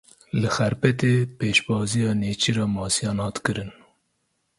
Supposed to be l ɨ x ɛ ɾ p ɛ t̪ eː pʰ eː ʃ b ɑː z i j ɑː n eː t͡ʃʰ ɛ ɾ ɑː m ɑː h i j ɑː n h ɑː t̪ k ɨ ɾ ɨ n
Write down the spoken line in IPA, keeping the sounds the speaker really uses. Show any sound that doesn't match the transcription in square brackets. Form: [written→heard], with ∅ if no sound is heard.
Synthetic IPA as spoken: l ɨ x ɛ ɾ p ɛ t̪ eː [pʰ→p] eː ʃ b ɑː z i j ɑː n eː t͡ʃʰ [ɛ→i] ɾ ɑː m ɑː [h→s] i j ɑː n h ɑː t̪ k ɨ ɾ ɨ n